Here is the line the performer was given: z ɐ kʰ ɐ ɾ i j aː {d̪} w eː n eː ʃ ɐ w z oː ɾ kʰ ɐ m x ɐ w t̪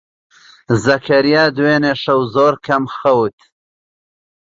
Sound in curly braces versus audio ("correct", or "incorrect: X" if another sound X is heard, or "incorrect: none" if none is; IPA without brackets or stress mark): correct